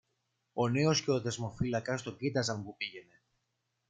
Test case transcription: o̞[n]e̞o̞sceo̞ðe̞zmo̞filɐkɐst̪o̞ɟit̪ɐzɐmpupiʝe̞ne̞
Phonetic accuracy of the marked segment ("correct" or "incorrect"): correct